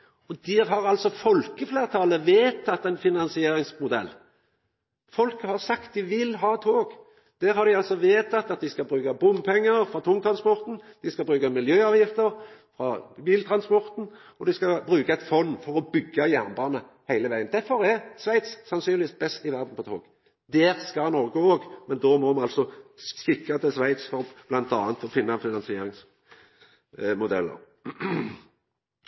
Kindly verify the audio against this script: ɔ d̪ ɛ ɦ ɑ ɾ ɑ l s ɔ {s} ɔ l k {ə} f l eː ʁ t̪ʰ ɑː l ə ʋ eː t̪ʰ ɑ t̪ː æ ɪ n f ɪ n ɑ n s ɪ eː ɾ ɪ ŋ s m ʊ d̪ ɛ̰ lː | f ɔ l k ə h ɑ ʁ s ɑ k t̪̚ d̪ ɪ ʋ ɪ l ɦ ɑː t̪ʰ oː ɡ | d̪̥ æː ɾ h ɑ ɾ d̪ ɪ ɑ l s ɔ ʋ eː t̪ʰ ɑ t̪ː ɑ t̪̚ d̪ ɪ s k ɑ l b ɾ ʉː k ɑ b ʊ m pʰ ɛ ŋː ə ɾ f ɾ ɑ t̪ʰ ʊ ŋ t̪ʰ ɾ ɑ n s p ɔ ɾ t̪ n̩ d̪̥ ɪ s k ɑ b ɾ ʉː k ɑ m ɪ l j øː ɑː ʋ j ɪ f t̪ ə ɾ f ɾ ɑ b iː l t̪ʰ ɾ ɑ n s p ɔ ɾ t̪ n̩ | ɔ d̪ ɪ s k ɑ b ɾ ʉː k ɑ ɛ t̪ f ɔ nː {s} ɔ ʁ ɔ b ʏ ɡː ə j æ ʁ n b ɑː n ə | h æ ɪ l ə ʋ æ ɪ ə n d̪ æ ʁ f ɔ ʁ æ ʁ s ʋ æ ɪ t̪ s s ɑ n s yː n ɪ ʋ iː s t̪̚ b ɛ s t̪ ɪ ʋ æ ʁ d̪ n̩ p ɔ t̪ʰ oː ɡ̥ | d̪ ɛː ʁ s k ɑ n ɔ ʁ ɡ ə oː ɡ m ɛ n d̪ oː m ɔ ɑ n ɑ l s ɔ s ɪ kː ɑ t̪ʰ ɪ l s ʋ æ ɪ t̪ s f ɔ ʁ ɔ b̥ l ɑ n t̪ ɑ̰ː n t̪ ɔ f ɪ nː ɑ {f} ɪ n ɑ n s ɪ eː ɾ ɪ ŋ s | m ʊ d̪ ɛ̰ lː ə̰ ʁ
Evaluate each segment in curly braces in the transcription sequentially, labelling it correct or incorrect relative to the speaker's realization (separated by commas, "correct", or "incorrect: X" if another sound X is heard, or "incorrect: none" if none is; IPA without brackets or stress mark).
incorrect: f, correct, incorrect: f, correct